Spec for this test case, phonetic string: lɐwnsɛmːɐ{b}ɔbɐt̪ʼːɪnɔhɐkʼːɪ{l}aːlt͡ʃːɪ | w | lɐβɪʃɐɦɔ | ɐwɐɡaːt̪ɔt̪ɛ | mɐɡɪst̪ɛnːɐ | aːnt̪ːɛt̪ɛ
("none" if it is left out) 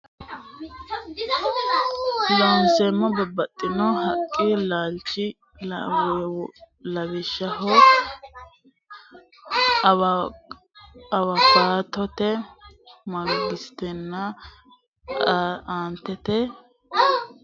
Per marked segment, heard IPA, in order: b, l

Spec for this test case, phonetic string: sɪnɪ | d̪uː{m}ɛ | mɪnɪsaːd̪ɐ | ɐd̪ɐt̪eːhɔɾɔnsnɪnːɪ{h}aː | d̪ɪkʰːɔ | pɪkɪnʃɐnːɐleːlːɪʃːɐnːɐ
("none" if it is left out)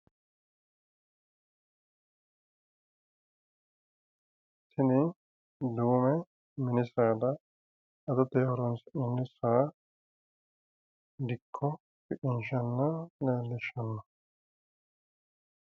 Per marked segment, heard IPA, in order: m, s

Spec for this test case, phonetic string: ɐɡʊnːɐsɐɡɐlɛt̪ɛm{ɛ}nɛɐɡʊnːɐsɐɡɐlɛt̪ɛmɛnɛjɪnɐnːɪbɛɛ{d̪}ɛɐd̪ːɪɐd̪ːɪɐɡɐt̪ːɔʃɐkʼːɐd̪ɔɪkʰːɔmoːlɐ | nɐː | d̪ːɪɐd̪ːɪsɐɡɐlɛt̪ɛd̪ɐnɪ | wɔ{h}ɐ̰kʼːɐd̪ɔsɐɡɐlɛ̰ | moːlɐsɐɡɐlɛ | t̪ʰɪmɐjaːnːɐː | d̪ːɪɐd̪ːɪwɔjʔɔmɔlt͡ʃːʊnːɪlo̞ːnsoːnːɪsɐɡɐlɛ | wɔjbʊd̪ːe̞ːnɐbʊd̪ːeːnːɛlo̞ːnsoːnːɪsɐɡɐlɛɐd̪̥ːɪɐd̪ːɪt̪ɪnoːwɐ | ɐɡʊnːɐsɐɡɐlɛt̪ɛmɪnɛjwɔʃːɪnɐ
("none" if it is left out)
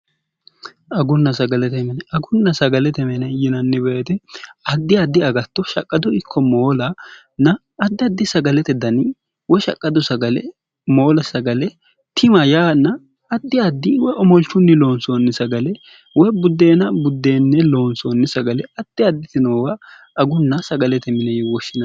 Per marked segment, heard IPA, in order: ɛ, t̪, ʃ

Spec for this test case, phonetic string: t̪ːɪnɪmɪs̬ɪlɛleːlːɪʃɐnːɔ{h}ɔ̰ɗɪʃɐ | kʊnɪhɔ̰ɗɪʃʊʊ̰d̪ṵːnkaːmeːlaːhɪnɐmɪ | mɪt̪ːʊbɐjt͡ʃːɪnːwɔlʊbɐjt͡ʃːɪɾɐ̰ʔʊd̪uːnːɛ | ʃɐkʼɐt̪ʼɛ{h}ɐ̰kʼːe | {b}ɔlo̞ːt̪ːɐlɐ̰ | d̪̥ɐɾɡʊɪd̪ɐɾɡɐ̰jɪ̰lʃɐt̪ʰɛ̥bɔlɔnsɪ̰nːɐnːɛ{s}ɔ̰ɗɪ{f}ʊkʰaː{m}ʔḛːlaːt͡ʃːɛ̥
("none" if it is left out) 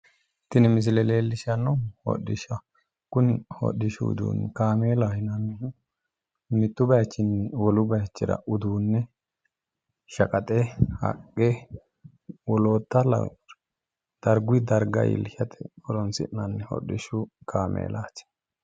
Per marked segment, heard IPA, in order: h, h, w, h, ʃ, m

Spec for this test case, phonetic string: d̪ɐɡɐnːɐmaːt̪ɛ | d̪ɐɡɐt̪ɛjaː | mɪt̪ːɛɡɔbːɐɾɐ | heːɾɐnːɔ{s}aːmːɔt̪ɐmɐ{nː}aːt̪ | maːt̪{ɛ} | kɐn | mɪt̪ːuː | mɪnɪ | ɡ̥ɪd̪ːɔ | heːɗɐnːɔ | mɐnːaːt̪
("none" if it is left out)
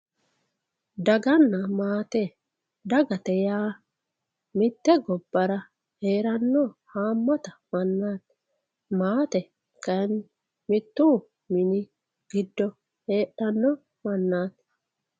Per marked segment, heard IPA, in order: h, nː, ɛ

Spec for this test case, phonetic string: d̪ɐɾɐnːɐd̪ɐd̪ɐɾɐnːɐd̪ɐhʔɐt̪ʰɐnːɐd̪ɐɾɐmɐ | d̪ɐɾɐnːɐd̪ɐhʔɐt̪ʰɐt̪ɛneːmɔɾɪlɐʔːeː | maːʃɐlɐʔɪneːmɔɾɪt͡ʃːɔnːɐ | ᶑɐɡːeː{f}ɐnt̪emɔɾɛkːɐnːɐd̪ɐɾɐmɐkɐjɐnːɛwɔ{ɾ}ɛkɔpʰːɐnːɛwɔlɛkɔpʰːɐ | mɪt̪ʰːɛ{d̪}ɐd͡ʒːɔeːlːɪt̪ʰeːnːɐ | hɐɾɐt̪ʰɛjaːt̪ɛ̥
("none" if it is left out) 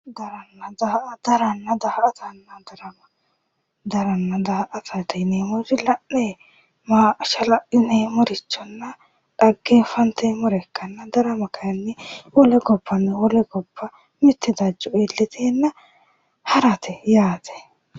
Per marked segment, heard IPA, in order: f, l, d̪

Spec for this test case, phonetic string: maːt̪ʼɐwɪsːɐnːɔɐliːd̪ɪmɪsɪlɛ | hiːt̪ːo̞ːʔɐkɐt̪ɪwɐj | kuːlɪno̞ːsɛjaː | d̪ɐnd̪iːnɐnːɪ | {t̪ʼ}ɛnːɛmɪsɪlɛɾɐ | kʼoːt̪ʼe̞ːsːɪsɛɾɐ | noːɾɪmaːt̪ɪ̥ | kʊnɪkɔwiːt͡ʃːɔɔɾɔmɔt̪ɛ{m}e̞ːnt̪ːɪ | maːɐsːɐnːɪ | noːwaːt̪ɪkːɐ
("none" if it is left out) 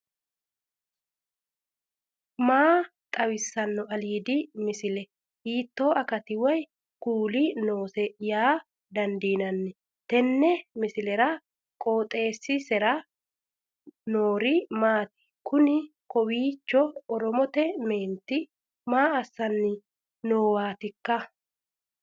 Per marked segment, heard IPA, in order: t̪, m

